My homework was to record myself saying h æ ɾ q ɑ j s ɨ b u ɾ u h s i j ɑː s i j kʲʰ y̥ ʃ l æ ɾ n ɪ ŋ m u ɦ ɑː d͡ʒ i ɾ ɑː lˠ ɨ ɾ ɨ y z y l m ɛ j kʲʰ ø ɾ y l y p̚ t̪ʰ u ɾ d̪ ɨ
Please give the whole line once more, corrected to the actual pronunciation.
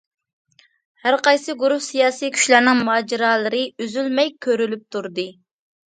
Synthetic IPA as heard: h æ ɾ q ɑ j s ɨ ɡ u ɾ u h s i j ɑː s i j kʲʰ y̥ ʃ l æ ɾ n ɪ ŋ m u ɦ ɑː d͡ʒ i ɾ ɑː lˠ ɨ ɾ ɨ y z y l m ɛ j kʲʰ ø ɾ y l y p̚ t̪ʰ u ɾ d̪ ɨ